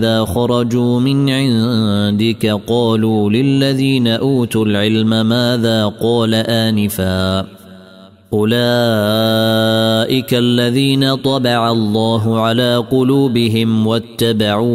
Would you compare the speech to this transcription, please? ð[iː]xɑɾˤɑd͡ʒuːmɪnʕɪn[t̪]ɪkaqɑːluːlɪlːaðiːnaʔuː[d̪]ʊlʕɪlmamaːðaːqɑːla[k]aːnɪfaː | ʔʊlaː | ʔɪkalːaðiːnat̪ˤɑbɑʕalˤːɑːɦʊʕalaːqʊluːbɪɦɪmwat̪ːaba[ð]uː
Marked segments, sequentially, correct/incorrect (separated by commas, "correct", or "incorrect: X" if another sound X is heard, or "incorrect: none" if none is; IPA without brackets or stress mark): incorrect: aː, incorrect: d̪, incorrect: t̪, incorrect: ʔ, incorrect: ʕ